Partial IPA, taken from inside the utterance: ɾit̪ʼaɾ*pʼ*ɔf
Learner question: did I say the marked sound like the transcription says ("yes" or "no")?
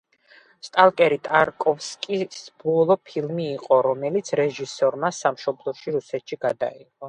no